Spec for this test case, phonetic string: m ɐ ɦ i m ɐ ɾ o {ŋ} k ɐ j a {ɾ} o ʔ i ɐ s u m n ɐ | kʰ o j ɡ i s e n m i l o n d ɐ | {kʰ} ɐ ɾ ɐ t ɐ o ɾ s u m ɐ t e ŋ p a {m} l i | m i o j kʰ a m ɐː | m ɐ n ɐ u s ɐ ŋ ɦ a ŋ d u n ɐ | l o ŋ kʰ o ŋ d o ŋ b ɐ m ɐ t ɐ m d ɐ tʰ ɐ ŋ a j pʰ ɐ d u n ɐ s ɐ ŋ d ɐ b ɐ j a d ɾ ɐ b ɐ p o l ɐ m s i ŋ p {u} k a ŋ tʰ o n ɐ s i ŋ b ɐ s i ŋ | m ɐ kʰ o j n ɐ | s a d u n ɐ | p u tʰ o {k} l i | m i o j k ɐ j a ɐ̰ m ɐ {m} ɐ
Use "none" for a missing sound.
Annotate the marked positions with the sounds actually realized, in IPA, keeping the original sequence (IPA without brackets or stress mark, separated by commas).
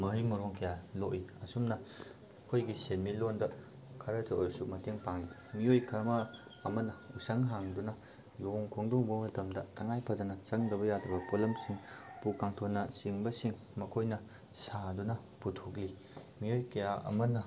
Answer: ŋ, l, kʰ, ŋ, u, k, n